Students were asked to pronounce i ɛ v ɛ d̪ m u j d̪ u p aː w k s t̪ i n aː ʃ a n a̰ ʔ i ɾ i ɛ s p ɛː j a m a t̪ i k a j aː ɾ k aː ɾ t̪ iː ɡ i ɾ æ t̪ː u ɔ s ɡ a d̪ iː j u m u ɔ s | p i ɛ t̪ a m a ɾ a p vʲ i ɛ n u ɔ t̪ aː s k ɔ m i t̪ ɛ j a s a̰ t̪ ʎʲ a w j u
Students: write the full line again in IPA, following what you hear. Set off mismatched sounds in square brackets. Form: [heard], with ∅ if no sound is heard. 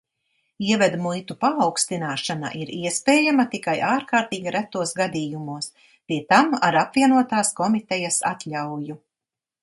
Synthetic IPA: i ɛ v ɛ d̪ m u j [t̪] u p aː w k s t̪ i n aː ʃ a n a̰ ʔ i ɾ i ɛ s p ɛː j a m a t̪ i k a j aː ɾ k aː ɾ t̪ iː ɡ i ɾ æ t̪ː u ɔ s ɡ a d̪ iː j u m u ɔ s | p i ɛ t̪ a m a ɾ a p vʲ i ɛ n u ɔ t̪ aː s k ɔ m i t̪ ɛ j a s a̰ t̪ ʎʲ a w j u